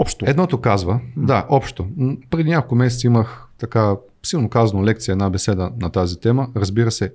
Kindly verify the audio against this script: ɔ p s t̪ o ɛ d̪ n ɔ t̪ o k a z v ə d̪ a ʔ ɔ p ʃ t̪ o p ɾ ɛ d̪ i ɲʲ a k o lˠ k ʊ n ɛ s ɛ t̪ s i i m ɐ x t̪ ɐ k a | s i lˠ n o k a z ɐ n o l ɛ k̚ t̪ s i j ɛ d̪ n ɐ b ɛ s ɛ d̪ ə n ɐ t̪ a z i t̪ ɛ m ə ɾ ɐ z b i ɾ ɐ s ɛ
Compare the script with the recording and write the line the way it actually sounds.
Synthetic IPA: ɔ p ʃ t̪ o ɛ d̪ n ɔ t̪ o k a z v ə d̪ a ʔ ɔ p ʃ t̪ o p ɾ ɛ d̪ i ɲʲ a k o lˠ k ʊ m ɛ s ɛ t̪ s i i m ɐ x t̪ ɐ k a | s i lˠ n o k a z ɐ n o l ɛ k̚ t̪ s i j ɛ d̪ n a b ɛ s ɛ d̪ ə n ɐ t̪ a z i t̪ ɛ m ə ɾ ɐ z b i ɾ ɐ s ɛ